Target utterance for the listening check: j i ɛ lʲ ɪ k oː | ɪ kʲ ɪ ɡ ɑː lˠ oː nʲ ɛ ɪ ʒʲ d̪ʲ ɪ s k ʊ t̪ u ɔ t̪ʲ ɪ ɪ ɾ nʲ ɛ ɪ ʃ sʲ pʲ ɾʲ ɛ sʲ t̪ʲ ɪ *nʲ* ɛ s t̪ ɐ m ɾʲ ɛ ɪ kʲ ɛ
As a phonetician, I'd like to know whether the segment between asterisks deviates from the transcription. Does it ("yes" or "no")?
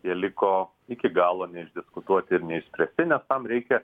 no